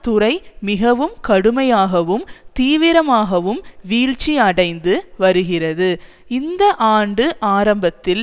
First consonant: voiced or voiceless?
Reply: voiceless